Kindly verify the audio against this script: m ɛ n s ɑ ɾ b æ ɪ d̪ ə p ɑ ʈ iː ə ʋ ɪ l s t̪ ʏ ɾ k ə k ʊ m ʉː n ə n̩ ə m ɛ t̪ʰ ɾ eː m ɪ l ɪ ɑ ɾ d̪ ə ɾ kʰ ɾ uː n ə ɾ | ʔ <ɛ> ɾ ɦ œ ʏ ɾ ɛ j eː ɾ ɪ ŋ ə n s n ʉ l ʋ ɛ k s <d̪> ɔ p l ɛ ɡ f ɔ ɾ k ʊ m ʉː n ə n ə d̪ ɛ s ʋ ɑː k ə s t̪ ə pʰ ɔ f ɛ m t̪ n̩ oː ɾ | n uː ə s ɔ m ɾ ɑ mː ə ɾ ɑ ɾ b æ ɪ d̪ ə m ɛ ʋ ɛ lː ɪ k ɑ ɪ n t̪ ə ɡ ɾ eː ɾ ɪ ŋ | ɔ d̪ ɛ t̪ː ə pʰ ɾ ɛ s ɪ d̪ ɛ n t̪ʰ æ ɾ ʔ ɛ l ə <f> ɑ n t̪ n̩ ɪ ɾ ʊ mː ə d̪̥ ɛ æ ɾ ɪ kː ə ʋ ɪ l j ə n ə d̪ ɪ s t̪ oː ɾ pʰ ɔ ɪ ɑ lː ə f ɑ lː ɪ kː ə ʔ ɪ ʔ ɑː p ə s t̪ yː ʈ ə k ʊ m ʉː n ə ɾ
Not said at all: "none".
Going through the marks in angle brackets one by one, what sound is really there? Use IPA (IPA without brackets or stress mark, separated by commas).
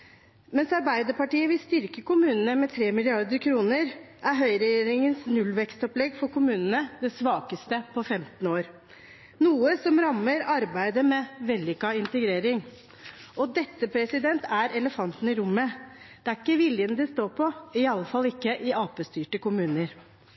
æ, t̪, f